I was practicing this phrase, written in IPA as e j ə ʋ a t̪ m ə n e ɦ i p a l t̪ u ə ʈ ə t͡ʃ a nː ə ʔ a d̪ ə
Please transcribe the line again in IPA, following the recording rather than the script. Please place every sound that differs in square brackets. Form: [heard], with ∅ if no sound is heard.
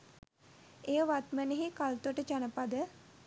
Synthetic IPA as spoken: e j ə ʋ a t̪ m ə n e ɦ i [k] a l t̪ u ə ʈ ə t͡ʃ a [n] ə [p] a d̪ ə